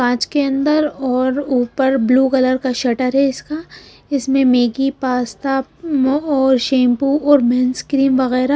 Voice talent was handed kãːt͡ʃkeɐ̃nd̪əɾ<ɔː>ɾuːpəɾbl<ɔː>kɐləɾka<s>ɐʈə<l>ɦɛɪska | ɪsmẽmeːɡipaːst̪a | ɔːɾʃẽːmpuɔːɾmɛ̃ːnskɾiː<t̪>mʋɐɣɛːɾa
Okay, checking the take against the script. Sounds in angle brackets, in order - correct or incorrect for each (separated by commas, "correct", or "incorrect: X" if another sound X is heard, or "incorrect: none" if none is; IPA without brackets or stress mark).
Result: correct, incorrect: uː, incorrect: ʃ, incorrect: ɾ, incorrect: none